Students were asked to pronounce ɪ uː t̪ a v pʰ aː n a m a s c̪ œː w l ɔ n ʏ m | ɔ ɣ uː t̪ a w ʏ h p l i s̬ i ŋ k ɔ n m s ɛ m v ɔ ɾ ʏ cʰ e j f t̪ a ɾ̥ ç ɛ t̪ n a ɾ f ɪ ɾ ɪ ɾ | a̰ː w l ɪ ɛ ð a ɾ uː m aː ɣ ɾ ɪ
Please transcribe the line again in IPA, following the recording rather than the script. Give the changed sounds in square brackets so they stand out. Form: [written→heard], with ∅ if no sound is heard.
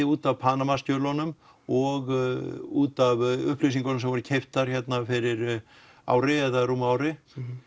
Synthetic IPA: ɪ uː t̪ a v pʰ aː n a m a s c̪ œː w l ɔ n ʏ m | ɔ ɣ uː t̪ a [w→v] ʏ h p l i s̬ i ŋ k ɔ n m s ɛ m v ɔ ɾ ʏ cʰ e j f t̪ a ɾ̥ ç ɛ t̪ n a [ɾ→∅] f ɪ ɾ ɪ ɾ | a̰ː w [l→ɾ] ɪ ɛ ð a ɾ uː m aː [ɣ→w] ɾ ɪ

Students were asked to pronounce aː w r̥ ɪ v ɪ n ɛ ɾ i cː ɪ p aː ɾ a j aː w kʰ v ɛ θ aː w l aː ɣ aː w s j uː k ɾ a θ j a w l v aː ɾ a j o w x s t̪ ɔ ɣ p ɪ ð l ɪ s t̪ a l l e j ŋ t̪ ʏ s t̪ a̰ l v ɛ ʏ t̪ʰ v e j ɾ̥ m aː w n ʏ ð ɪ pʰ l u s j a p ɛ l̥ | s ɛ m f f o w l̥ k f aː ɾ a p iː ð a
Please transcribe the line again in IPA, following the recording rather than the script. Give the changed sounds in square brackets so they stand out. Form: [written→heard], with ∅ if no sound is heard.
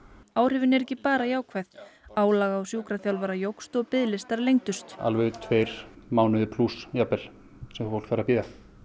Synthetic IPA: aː w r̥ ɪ v ɪ n ɛ ɾ [i→ɛ] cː ɪ p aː ɾ a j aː w kʰ v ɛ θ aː w l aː ɣ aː w s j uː k ɾ a θ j a w l v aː ɾ a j o w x s t̪ ɔ ɣ p ɪ ð l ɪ s t̪ a [l→ɾ] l e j ŋ t̪ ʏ s t̪ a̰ l v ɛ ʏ t̪ʰ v e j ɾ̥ m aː w n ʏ ð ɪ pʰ l u s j a p ɛ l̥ | s ɛ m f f o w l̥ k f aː ɾ a p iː ð a

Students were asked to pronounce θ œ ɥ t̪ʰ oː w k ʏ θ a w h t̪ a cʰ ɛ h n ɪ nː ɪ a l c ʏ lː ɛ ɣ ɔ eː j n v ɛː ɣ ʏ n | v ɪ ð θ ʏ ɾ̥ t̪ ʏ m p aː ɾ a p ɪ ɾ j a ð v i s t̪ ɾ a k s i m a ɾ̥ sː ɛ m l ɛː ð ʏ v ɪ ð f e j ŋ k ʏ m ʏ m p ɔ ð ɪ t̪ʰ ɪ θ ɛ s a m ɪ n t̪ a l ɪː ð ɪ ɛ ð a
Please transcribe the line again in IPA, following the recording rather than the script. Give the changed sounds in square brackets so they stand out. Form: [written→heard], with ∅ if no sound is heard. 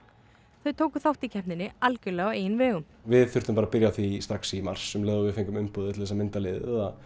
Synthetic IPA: θ œ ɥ t̪ʰ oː w k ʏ θ a w h t̪ [a→i] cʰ ɛ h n ɪ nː ɪ a l c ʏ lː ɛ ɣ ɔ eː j n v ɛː ɣ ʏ [n→m] | v ɪ ð θ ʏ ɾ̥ t̪ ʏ m p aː ɾ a p ɪ ɾ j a [ð→θ] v i s t̪ ɾ a k s i m a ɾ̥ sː ɛ m l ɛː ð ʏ v ɪ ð f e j ŋ k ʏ m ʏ m p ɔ ð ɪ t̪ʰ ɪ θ ɛ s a m ɪ n t̪ a l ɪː ð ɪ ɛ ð a

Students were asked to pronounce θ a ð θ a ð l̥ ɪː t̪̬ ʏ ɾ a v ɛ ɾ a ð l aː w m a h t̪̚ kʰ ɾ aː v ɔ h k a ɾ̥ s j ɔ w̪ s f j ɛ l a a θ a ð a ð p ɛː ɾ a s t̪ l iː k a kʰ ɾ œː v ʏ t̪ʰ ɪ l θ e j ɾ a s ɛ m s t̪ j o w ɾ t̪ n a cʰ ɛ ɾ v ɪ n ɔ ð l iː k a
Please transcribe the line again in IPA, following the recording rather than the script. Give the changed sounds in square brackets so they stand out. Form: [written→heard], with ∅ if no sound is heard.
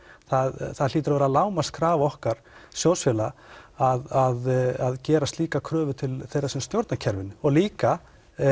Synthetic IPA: θ a ð θ a ð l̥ [ɪː→iː] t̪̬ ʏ ɾ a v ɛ ɾ a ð l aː w m a [h→s] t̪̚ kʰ ɾ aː v ɔ h k a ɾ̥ s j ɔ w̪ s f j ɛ l a a [θ→ð] a ð a ð [p→c] ɛː ɾ a s t̪ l iː k a kʰ ɾ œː v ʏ t̪ʰ ɪ l θ e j ɾ a s ɛ m s t̪ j o w ɾ t̪ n a cʰ ɛ ɾ v ɪ n ɔ [ð→ɣ] l iː k a

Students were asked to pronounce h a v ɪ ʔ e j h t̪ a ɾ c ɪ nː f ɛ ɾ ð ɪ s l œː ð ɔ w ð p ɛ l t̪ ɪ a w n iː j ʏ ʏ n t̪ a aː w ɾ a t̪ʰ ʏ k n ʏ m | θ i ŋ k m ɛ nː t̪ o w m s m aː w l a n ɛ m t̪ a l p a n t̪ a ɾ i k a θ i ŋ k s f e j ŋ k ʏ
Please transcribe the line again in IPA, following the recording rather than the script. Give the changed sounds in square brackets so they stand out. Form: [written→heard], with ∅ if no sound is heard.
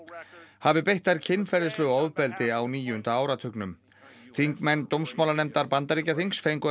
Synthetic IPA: h a v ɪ [ʔ→p] e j h t̪ a ɾ [c→cʰ] ɪ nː f ɛ ɾ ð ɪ s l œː [ð→ɣ] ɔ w ð p ɛ l t̪ ɪ a w n iː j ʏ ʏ n t̪ a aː w ɾ a t̪ʰ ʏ k n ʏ m | θ i ŋ k m ɛ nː t̪ o w m s m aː w l a n ɛ m t̪ a [l→ɾ] p a n t̪ a ɾ i [k→c] a θ i ŋ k s f e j ŋ k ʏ

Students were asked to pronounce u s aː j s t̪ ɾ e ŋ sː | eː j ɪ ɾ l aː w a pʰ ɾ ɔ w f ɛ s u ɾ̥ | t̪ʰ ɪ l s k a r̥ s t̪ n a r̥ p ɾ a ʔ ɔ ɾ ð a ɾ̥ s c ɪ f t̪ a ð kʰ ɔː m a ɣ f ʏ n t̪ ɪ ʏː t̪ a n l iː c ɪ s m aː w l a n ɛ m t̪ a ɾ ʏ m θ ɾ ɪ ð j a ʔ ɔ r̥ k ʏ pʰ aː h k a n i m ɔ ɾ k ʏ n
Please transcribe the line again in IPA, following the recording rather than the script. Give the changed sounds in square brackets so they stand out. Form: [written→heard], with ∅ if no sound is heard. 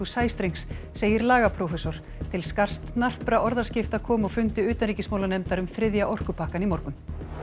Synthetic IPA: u s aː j s t̪ ɾ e ŋ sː | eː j ɪ ɾ l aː [w→ɣ] a pʰ ɾ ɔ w f ɛ s [u→ɔ] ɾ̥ | t̪ʰ ɪ l s k a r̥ s t̪ n a r̥ p ɾ a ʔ ɔ ɾ ð a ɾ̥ s c ɪ f t̪ a ð kʰ ɔː m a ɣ f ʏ n t̪ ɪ ʏː t̪ a n [l→ɾ] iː c ɪ s m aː w l a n ɛ m t̪ a ɾ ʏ m θ ɾ ɪ ð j a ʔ ɔ r̥ k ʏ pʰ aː h k a n i m ɔ ɾ k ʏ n

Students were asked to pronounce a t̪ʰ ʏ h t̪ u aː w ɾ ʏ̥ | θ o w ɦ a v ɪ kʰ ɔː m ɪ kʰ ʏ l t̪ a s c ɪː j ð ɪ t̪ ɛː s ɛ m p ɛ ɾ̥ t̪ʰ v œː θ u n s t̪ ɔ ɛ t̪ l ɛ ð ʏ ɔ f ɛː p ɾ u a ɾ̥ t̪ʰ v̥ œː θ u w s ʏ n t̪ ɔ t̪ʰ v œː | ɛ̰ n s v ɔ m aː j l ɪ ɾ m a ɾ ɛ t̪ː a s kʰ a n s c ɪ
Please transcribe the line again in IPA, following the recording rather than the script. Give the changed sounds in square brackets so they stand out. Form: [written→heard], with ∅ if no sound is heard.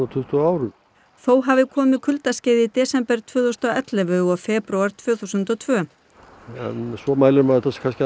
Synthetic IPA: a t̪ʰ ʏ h t̪ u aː w ɾ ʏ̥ | θ o w ɦ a v ɪ kʰ ɔː m ɪ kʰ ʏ l t̪ a s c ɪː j ð ɪ t̪ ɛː s ɛ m p ɛ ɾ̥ t̪ʰ v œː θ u [n→∅] s t̪ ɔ ɛ t̪ l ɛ [ð→v] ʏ ɔ f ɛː p ɾ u a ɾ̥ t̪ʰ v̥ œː θ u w s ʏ n t̪ ɔ t̪ʰ v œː | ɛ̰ n s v ɔ m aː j l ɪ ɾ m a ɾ ɛ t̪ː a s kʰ a n s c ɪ

